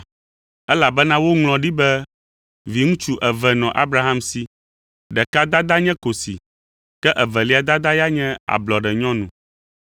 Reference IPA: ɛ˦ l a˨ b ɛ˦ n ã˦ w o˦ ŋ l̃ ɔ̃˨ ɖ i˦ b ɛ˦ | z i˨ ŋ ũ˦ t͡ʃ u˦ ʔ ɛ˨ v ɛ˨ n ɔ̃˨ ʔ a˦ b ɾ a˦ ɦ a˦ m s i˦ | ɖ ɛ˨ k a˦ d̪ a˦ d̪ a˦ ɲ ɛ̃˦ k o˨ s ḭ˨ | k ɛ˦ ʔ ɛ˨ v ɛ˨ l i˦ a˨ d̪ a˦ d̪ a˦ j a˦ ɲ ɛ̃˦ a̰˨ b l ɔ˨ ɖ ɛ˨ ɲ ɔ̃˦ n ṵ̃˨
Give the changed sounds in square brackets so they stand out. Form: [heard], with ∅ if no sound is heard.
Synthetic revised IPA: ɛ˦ l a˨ b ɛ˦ n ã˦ w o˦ ŋ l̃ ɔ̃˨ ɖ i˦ b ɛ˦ | [v] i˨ ŋ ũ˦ t͡ʃ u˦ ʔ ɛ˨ v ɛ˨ n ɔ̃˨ ʔ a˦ b ɾ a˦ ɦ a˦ m s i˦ | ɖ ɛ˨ k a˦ d̪ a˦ d̪ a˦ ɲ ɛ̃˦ k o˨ s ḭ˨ | k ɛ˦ ʔ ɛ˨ v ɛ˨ l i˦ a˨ d̪ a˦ d̪ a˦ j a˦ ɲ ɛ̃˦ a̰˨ b l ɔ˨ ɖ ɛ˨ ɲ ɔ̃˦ n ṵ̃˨